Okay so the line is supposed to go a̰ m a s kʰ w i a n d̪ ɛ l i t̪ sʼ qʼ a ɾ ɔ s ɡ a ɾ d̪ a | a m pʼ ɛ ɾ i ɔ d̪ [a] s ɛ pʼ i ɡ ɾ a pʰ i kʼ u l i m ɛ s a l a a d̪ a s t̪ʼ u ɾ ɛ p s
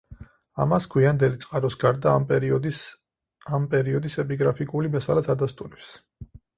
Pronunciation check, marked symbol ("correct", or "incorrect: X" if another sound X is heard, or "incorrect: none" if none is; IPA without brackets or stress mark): incorrect: i